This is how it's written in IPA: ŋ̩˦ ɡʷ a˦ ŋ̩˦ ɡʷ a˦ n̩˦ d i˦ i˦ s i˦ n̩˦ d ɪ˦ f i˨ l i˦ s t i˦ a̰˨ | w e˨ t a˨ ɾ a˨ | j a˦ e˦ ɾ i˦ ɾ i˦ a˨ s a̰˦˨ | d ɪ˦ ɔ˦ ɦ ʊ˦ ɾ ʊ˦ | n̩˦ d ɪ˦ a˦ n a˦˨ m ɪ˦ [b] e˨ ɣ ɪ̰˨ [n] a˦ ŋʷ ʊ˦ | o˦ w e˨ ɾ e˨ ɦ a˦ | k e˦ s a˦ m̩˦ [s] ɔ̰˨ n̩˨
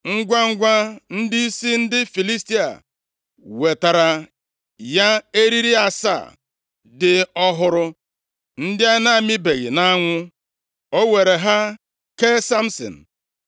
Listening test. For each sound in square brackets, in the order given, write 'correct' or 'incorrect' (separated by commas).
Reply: correct, correct, correct